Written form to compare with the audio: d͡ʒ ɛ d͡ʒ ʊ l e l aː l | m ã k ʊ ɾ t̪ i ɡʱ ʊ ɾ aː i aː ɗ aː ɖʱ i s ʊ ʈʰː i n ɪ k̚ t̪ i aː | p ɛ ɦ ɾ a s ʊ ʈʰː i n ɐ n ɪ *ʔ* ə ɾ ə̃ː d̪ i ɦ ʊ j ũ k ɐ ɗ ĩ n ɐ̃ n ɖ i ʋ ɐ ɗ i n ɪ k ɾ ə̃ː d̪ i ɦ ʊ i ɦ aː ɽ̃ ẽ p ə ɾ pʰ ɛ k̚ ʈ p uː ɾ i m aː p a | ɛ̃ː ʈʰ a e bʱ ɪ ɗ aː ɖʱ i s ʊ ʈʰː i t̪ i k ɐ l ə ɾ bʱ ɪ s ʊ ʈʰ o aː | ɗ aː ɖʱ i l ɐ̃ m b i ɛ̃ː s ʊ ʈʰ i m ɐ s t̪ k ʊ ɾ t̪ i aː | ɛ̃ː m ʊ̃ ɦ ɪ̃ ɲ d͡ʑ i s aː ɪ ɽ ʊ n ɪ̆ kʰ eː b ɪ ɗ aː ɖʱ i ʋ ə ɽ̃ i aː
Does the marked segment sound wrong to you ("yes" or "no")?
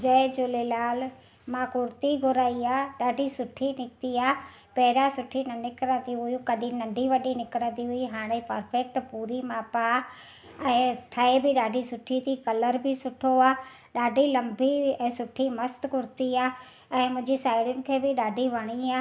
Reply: yes